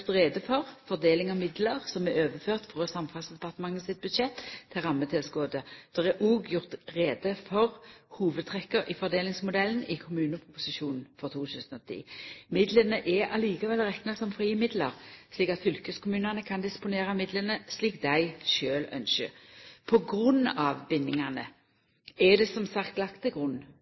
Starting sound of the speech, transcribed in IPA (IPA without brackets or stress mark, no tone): t̪